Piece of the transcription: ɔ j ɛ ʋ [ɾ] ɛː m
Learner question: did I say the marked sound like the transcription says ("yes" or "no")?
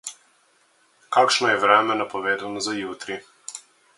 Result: yes